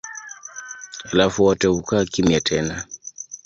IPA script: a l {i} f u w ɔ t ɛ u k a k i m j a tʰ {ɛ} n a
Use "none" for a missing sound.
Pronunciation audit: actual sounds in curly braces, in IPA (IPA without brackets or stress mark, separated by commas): a, ɛ